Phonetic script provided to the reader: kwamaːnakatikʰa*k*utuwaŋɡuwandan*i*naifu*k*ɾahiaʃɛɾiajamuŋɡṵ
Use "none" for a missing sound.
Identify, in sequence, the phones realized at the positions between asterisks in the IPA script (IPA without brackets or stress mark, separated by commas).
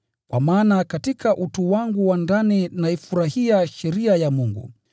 ʔ, i, none